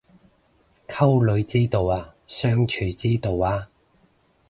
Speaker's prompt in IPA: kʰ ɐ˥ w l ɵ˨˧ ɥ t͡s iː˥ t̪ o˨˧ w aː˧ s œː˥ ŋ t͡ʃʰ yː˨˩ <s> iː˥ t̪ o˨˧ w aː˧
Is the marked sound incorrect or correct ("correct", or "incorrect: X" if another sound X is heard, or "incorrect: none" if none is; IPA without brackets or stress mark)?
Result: incorrect: t͡s